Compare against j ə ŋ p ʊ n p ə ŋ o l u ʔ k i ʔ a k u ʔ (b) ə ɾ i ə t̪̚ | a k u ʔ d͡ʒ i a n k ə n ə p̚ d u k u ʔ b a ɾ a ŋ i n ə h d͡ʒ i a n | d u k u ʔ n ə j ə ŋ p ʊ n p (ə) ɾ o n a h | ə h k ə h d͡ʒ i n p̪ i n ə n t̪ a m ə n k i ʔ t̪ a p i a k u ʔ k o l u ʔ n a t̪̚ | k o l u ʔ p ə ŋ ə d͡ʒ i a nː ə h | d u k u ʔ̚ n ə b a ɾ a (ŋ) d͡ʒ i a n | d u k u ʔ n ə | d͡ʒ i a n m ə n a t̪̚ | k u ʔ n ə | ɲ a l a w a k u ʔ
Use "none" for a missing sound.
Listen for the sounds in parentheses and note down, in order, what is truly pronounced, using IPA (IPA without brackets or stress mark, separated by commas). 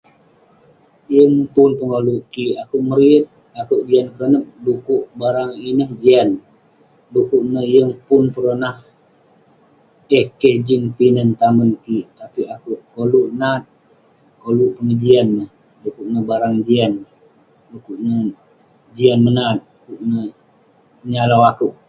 m, ə, ŋ